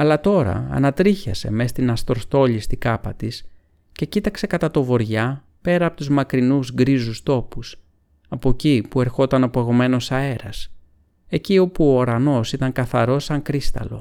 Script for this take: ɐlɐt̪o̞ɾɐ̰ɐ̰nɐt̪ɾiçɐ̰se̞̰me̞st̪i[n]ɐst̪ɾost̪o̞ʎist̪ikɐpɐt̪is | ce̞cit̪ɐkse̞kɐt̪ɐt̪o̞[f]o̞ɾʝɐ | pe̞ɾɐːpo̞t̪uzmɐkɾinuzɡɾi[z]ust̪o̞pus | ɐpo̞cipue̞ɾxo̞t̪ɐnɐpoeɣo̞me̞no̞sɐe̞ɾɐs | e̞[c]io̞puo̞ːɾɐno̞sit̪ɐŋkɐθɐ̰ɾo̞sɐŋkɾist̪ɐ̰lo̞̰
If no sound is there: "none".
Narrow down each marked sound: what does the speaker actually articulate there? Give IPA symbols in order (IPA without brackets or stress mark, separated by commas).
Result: n, v, z, c